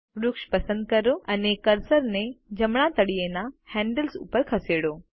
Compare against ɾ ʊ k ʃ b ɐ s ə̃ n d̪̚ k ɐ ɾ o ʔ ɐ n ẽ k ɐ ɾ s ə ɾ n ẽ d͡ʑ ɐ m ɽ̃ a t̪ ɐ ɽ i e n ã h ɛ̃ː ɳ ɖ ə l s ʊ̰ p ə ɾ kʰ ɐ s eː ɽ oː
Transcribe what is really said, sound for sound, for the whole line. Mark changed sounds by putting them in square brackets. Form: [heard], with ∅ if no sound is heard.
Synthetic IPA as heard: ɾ ʊ k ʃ [p] ɐ s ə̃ n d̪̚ k ɐ ɾ o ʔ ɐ n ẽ k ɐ ɾ s ə ɾ n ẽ d͡ʑ ɐ m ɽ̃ a t̪ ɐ ɽ i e n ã h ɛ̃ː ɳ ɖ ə l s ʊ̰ p ə ɾ kʰ ɐ s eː ɽ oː